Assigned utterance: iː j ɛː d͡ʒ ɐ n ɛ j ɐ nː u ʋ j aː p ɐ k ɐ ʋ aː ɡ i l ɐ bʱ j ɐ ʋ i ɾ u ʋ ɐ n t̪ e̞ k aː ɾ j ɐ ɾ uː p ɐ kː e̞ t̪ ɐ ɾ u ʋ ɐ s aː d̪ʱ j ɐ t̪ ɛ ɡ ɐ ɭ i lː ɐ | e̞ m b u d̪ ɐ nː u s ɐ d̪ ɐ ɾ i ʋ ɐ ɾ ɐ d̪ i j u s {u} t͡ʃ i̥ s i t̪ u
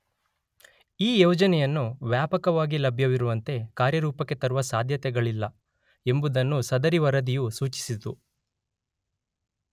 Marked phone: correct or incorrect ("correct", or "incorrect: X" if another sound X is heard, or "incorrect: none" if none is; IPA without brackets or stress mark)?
incorrect: uː